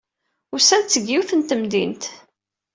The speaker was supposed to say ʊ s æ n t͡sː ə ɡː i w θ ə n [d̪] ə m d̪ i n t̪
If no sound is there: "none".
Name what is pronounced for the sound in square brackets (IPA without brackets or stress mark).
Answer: t̪